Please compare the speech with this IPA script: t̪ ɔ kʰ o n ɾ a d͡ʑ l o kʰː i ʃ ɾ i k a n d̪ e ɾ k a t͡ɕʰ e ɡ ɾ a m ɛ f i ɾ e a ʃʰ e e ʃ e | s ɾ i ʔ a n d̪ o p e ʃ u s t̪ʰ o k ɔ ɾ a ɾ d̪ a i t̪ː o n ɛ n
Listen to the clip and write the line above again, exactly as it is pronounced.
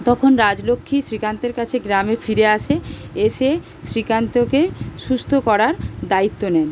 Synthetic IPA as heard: t̪ ɔ kʰ o n ɾ a d͡ʑ l o kʰː i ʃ ɾ i k a n t̪ e ɾ k a t͡ɕʰ e ɡ ɾ a m e f i ɾ e a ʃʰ e e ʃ e | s ɾ i k a n t̪ o k e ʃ u s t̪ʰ o k ɔ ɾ a ɾ d̪ a i t̪ː o n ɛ n